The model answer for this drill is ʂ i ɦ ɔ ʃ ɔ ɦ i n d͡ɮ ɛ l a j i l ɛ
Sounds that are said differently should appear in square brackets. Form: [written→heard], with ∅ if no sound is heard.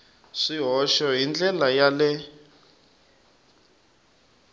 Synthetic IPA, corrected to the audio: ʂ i ɦ ɔ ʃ ɔ ɦ i n d͡ɮ ɛ l a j [i→a] l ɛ